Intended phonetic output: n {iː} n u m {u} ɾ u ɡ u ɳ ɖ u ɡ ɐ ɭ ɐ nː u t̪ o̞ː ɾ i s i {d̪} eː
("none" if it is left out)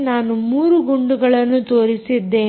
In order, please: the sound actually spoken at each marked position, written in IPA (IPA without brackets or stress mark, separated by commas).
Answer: aː, uː, d̪ː